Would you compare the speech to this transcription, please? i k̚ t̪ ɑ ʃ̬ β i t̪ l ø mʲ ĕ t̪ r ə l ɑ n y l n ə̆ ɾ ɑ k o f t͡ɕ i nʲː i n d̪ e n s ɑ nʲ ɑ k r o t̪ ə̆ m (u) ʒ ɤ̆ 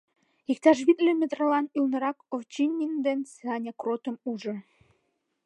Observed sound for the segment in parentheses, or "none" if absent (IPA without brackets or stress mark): u